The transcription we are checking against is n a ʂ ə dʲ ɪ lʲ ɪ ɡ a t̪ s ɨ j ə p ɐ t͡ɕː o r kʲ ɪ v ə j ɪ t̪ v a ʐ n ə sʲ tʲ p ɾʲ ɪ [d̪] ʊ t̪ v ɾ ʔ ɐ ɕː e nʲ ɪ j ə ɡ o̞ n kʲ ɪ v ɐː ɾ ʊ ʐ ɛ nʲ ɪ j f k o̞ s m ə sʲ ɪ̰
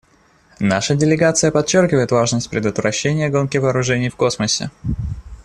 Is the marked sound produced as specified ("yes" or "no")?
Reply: yes